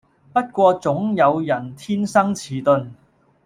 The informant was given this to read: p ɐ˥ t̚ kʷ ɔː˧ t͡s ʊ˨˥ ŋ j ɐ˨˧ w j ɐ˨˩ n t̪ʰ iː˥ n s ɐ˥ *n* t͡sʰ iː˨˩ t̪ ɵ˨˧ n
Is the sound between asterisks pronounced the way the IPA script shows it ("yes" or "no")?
no